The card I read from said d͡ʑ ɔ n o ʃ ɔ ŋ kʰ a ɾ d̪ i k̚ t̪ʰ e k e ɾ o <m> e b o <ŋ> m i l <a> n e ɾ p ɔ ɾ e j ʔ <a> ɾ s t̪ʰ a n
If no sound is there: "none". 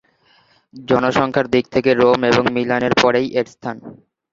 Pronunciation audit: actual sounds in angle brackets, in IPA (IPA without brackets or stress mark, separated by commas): m, ŋ, a, e